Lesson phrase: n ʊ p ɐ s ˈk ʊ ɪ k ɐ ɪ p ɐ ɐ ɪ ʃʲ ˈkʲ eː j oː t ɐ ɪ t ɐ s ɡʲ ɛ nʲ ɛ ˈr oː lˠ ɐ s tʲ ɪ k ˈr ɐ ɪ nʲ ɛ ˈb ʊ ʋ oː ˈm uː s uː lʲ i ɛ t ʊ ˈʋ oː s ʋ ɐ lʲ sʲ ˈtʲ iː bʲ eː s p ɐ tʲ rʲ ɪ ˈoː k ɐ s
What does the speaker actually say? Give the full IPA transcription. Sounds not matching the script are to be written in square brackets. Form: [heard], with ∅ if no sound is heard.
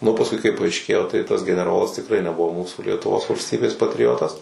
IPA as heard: n ʊ p ɐ s ˈk ʊ ɪ k ɐ ɪ p ɐ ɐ ɪ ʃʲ ˈkʲ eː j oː t ɐ ɪ t ɐ s ɡʲ ɛ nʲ ɛ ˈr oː lˠ ɐ s tʲ ɪ k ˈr ɐ ɪ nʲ ɛ ˈb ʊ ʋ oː ˈm uː s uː lʲ i ɛ t ʊ ˈʋ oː s ʋ ɐ lʲ sʲ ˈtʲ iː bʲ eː s p ɐ tʲ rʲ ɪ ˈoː [t] ɐ s